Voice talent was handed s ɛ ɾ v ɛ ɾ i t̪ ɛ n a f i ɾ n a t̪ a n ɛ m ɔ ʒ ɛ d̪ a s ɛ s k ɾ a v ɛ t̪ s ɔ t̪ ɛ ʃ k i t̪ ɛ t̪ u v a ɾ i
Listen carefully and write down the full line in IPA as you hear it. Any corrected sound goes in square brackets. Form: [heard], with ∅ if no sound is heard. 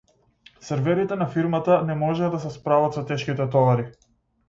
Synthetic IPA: s ɛ ɾ v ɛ ɾ i t̪ ɛ n a f i ɾ [m] a t̪ a n ɛ m ɔ ʒ ɛ d̪ a s ɛ s [p] ɾ a v [a] t̪ s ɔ t̪ ɛ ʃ k i t̪ ɛ t̪ [ɔ] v a ɾ i